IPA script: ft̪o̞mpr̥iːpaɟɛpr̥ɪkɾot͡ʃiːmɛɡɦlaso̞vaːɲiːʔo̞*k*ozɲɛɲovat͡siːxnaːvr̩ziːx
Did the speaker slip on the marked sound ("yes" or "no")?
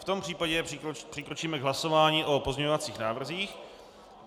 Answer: yes